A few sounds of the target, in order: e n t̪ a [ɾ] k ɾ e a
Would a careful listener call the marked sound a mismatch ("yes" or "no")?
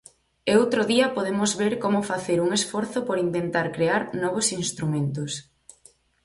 no